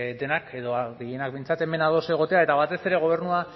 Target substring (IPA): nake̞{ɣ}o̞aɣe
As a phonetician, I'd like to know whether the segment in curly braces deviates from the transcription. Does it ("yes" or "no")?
yes